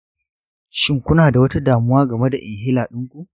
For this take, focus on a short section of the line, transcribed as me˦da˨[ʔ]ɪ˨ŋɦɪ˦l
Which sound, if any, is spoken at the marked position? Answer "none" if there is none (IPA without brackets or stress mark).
ʔ